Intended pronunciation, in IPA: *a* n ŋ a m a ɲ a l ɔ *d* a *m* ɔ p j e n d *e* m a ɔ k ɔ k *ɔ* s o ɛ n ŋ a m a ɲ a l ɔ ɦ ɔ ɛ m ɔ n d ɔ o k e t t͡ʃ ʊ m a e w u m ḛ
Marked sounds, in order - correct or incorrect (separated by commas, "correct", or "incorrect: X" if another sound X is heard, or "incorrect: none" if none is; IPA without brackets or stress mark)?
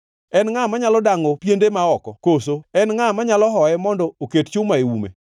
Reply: incorrect: ɛ, correct, incorrect: ŋ, correct, incorrect: o